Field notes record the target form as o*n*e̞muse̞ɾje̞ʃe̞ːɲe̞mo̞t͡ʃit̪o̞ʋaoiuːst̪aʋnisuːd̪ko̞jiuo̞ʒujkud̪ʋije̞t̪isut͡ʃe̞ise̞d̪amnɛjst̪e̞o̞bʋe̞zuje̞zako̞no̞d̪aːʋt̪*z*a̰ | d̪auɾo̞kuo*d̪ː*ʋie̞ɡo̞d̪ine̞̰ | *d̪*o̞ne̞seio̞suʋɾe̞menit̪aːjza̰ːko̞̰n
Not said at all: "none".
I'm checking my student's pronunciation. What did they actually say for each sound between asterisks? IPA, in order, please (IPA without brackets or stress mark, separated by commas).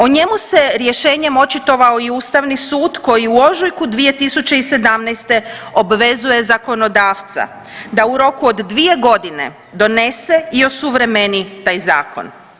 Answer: ɲ, s, d̪ː, d̪